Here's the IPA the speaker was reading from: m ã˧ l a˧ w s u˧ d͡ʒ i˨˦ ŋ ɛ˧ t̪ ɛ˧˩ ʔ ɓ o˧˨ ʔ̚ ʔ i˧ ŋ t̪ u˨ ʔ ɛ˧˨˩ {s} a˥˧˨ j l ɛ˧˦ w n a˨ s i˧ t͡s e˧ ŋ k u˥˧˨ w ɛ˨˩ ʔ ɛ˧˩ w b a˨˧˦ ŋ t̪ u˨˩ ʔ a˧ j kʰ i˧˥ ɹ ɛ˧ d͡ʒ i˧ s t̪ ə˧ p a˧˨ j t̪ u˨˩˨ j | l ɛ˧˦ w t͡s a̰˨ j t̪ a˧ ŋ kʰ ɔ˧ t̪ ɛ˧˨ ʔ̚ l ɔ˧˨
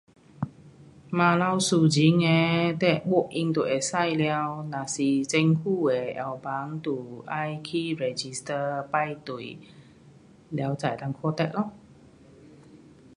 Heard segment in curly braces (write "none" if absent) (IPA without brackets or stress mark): s